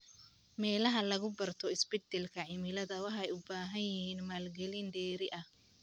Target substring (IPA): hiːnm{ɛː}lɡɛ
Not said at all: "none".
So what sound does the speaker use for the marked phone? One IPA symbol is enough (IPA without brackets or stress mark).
aː